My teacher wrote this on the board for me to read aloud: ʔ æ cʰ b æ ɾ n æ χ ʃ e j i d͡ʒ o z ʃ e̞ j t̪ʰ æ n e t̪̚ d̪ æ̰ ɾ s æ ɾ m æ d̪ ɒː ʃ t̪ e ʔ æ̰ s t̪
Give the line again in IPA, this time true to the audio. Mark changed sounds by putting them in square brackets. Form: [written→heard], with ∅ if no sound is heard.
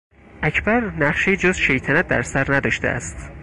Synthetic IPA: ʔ æ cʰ b æ ɾ n æ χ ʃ e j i d͡ʒ o z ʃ e̞ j t̪ʰ æ n [e→æ] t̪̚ d̪ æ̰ ɾ s æ ɾ [m→n] æ d̪ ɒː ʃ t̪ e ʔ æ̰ s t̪